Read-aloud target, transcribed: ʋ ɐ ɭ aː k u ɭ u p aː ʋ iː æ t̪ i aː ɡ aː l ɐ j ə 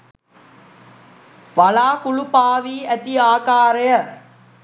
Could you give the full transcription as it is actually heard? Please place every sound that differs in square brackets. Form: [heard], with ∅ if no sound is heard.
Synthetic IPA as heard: ʋ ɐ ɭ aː k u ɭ u p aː ʋ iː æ t̪ i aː [k] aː [ɾ] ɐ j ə

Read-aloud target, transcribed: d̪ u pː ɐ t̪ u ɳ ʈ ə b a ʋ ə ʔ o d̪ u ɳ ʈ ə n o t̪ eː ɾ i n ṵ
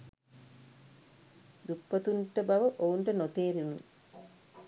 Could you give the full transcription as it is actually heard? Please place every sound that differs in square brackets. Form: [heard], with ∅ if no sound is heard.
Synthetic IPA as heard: d̪ u pː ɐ t̪ u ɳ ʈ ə b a ʋ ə ʔ o [∅] u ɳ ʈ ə n o t̪ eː ɾ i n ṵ

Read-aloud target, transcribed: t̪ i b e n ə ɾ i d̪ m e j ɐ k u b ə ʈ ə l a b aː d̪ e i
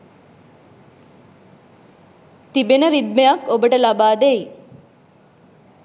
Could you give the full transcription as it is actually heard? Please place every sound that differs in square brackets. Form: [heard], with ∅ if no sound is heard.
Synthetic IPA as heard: t̪ i b e n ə ɾ i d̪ m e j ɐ k [o] b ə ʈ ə l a b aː d̪ e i

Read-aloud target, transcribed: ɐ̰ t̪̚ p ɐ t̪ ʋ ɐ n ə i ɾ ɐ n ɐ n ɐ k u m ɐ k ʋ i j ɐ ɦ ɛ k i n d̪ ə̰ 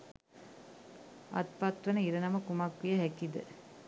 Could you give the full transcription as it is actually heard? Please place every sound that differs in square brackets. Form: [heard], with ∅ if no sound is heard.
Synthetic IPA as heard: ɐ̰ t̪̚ p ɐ t̪ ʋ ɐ n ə i ɾ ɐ n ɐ [m] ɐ k u m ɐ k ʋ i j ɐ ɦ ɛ k i [∅] d̪ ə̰

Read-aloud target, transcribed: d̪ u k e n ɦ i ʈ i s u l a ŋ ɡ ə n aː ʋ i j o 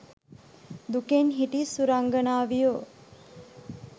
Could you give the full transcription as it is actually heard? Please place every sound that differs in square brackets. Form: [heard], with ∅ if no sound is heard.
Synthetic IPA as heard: d̪ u k e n ɦ i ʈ i s u [ɾ] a ŋ ɡ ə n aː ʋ i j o

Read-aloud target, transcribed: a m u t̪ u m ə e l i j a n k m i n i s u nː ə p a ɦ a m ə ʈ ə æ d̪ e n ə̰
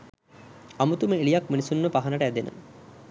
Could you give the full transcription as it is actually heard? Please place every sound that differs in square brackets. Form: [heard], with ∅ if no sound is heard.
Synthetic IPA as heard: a m u t̪ u m ə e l i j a [∅] k m i n i s u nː ə p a ɦ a [n] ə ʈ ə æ d̪ e n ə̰

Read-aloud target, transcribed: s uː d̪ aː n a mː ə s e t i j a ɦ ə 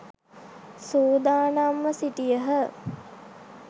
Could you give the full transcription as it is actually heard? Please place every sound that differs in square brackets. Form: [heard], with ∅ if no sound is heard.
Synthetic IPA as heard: s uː d̪ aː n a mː ə s [i] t i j [ə] ɦ ə

